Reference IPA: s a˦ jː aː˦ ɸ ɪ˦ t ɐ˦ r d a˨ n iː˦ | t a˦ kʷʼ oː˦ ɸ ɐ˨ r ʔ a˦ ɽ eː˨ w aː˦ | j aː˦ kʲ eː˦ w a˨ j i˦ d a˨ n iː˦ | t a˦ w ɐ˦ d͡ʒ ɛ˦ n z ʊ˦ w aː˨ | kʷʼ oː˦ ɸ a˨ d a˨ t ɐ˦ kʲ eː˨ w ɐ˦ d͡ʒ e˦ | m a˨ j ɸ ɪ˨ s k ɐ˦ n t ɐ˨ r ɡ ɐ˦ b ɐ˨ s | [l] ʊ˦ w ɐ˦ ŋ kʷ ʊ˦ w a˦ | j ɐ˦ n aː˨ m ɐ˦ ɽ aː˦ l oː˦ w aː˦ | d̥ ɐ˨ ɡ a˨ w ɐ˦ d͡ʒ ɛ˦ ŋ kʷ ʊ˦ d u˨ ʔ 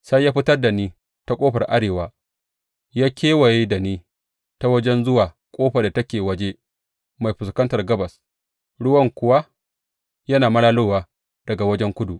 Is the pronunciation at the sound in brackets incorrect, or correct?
incorrect